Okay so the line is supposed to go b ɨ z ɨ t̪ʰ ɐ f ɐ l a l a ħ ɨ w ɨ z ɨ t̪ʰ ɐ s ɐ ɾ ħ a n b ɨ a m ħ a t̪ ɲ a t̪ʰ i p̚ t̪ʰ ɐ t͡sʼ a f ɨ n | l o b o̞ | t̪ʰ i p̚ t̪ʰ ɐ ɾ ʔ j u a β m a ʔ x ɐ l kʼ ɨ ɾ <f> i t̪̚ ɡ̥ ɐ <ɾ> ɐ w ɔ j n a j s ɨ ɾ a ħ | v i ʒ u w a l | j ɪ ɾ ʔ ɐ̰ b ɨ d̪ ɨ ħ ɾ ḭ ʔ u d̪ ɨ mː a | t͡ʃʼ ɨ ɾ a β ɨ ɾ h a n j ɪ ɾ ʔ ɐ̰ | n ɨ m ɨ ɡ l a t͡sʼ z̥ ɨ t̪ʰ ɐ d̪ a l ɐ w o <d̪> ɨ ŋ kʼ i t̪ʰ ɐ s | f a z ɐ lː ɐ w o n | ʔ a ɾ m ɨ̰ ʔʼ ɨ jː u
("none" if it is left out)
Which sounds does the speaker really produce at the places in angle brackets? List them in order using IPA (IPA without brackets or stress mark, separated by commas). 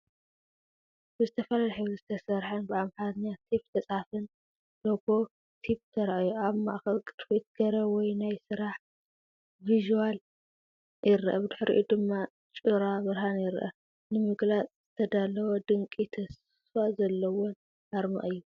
f, ɾ, d̪